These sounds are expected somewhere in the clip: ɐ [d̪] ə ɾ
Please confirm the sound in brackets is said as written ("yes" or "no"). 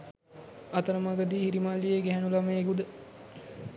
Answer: no